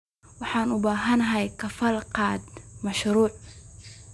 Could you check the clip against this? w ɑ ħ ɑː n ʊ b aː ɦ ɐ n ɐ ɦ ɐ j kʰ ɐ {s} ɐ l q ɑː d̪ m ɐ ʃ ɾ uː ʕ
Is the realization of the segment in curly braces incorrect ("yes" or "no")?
yes